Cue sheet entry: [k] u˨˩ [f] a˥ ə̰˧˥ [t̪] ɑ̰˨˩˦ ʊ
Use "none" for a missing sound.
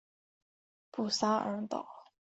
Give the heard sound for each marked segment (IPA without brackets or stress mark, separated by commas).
p, s, t̪